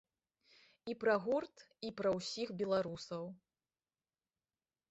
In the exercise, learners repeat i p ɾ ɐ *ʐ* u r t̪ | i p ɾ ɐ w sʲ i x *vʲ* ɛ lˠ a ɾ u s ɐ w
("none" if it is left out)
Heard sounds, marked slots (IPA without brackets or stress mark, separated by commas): ɣ, bʲ